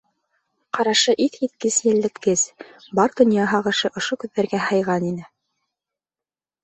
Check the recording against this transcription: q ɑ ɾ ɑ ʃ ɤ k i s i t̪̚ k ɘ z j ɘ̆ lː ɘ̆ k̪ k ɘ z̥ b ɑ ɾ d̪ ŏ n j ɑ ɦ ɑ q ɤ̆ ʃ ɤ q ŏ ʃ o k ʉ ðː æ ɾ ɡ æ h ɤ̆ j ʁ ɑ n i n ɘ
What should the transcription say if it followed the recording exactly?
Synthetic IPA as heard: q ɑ ɾ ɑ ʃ ɤ ʔ i θ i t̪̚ k ɘ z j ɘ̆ lː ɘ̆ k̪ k ɘ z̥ b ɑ ɾ d̪ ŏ n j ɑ ɦ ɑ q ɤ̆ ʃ ɤ ʔ ŏ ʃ o k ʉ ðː æ ɾ ɡ æ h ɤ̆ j ʁ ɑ n i n ɘ